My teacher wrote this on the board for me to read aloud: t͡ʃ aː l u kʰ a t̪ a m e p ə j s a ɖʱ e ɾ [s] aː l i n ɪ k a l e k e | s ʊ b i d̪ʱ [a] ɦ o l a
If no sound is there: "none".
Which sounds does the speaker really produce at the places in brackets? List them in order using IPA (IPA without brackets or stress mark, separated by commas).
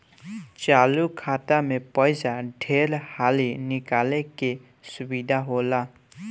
h, a